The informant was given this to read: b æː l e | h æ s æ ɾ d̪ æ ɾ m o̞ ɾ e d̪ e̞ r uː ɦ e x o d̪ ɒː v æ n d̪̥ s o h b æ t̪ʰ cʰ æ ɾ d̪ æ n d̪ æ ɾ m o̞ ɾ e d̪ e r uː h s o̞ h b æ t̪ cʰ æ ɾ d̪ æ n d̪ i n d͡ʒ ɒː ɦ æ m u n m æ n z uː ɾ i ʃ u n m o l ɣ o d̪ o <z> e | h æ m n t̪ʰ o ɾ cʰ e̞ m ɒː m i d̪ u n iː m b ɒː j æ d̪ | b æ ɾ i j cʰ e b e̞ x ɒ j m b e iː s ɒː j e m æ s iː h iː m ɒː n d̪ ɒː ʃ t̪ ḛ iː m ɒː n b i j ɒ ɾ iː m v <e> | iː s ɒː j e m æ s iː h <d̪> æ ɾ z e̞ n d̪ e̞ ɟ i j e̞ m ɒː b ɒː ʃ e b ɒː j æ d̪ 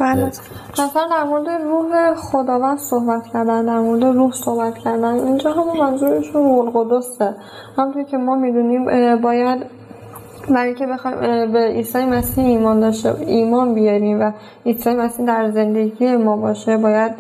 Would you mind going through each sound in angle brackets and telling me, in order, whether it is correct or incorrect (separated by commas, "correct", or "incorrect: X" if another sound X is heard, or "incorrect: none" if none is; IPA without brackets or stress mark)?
incorrect: s, incorrect: æ, correct